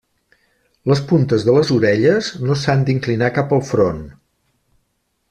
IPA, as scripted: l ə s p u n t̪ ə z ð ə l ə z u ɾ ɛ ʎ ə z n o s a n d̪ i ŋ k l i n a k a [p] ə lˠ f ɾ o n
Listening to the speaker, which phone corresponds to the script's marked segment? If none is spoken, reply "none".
p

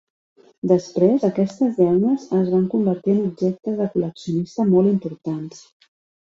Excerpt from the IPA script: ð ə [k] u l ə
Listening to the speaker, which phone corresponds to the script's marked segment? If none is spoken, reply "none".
k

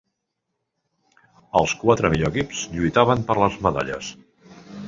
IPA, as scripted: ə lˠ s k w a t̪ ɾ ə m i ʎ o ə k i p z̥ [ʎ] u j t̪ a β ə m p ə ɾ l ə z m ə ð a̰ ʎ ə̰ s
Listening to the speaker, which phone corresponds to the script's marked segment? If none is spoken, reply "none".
ʎ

